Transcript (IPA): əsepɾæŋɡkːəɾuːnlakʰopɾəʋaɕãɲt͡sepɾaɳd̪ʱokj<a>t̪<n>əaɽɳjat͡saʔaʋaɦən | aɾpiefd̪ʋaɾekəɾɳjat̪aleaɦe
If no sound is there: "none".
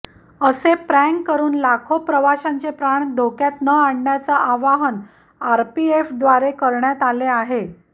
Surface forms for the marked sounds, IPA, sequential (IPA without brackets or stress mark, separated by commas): a, n